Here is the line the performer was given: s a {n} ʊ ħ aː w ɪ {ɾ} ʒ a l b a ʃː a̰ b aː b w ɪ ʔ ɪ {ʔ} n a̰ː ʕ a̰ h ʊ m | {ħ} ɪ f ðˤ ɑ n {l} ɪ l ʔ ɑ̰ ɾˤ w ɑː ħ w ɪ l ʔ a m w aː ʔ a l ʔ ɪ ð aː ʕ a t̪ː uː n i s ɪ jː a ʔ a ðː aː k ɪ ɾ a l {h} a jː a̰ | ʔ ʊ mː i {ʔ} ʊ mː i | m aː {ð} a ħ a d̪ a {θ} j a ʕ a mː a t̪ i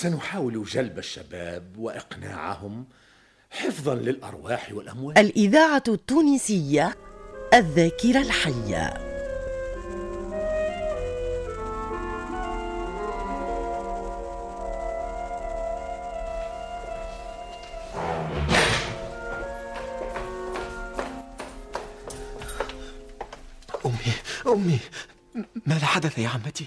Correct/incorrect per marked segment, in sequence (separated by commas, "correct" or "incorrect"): correct, incorrect, incorrect, correct, correct, incorrect, correct, correct, correct